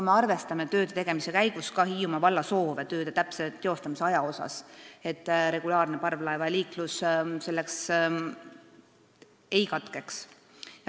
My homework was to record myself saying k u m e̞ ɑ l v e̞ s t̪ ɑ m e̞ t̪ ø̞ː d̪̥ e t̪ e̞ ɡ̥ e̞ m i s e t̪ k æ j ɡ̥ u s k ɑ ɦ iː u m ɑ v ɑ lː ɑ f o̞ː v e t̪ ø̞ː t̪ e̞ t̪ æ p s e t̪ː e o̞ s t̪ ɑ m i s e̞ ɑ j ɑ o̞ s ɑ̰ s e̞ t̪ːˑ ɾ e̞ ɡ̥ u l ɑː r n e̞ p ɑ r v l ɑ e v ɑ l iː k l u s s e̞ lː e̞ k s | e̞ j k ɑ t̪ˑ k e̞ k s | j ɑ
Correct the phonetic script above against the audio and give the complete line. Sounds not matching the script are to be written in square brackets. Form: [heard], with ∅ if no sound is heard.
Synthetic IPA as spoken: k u m e̞ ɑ [r] v e̞ s t̪ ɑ m e̞ t̪ ø̞ː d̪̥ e t̪ e̞ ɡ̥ e̞ m i s e [∅] k æ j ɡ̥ u s k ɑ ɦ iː u m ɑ v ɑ lː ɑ [s] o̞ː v e t̪ ø̞ː [d̪] e̞ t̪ æ p s e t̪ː e o̞ s t̪ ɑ m i s e̞ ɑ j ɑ o̞ s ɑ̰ s e̞ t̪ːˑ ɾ e̞ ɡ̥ u l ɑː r n e̞ p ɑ r v l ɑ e v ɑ l iː k l u s s e̞ lː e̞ k s | e̞ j k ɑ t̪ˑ k e̞ k s | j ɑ

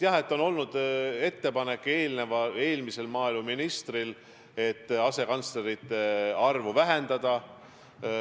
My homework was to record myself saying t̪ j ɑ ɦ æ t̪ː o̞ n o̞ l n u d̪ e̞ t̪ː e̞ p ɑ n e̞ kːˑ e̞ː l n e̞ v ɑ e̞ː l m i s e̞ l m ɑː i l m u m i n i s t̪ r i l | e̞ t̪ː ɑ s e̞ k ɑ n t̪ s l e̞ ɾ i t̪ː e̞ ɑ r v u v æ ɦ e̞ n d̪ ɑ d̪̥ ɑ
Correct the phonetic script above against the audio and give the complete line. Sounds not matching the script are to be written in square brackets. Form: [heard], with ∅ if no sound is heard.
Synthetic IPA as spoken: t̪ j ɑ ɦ [e] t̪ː o̞ n o̞ l n u d̪ e̞ t̪ː e̞ p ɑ n e̞ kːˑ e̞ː l n e̞ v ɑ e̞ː l m i s e̞ l m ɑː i l m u m i n i s t̪ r i l | e̞ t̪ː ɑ s e̞ k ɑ n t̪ s l e̞ ɾ i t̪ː e̞ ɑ r v u v æ ɦ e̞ n d̪ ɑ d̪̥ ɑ

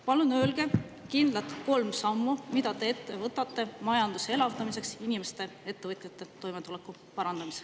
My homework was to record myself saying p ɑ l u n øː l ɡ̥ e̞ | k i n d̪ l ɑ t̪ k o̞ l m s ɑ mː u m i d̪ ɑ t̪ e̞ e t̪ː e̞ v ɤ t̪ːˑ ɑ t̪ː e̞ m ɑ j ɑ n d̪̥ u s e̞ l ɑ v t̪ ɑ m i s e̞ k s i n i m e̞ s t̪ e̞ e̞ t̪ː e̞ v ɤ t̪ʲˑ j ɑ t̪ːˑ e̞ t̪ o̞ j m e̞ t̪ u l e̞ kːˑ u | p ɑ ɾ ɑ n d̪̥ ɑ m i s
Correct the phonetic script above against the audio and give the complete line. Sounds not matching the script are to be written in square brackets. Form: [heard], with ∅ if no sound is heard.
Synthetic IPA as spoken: p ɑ l u n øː l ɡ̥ e̞ | k i n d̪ l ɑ t̪ k o̞ l m s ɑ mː u m i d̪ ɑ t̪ e̞ e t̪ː e̞ v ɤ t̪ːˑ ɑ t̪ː e̞ m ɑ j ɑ n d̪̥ u s e̞ l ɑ v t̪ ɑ m i s e̞ k s i n i m e̞ s t̪ e̞ e̞ t̪ː e̞ v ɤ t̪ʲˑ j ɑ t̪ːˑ e̞ t̪ o̞ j m e̞ t̪ u l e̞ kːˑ u | p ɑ ɾ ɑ n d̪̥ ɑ m i s

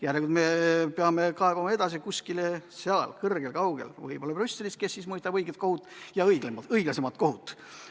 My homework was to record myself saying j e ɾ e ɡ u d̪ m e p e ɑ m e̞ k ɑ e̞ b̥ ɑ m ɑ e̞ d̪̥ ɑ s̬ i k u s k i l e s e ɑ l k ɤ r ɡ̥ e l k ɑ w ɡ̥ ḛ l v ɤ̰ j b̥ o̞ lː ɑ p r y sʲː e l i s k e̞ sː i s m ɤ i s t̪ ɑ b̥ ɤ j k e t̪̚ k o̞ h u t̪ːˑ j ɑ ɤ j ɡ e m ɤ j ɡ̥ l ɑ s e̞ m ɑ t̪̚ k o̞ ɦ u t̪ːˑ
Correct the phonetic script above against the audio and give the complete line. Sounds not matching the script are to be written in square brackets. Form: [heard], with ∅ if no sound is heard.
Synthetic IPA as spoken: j [æ] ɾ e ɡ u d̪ m e p e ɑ m e̞ k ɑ e̞ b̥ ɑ m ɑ e̞ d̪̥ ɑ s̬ i k u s k i l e s e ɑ l k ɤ r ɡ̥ e l k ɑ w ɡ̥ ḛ l v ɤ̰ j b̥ o̞ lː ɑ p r y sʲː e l i s k e̞ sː i s m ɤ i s t̪ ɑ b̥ ɤ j [ɡ] e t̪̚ k o̞ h u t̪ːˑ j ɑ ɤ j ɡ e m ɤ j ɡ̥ l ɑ s e̞ m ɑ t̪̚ k o̞ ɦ u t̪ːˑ

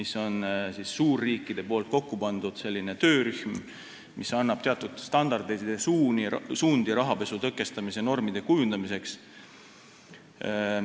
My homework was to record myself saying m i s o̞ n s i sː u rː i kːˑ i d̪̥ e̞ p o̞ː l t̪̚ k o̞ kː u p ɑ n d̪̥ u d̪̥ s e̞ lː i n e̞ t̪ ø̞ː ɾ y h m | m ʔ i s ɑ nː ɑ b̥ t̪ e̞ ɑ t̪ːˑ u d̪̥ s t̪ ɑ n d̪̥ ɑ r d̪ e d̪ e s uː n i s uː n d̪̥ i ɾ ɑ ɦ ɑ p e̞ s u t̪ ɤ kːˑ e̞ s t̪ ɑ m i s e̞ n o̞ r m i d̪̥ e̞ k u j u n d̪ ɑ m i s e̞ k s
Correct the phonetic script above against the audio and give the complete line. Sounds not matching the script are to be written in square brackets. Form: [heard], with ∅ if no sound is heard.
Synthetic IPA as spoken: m i s o̞ n s i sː [uː] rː [iː] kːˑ i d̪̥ e̞ p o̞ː l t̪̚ k o̞ kː u p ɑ n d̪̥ u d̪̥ s e̞ lː i n e̞ t̪ ø̞ː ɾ y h m | m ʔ i s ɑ nː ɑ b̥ t̪ e̞ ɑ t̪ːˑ u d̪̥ s t̪ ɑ n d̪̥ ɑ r d̪ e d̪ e s uː n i s uː n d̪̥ i ɾ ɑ ɦ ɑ p e̞ s u t̪ ɤ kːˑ e̞ s t̪ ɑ m i s e̞ n o̞ r m i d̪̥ e̞ k u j u n d̪ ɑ m i s e̞ k s

